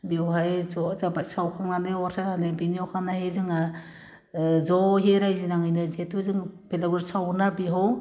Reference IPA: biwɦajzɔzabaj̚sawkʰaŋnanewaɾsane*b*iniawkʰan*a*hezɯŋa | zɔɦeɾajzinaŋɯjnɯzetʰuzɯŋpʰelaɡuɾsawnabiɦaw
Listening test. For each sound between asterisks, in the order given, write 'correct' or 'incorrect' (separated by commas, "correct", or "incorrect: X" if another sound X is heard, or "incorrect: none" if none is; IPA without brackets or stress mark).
correct, correct